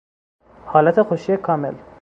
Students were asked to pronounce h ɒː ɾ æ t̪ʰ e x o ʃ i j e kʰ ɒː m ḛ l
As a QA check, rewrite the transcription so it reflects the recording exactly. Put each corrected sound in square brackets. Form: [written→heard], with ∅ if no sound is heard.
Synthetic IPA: h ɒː [ɾ→l] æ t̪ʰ e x o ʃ i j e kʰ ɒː m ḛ l